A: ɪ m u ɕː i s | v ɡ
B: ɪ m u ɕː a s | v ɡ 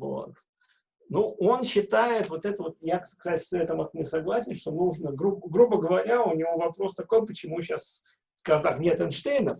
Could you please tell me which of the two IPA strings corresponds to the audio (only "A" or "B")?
B